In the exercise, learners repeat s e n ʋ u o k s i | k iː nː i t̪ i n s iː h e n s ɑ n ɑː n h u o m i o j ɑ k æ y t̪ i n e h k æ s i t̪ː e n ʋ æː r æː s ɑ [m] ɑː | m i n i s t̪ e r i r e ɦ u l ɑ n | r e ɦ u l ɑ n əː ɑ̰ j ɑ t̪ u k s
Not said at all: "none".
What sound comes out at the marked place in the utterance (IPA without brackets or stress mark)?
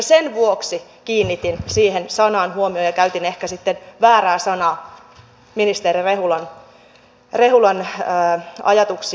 n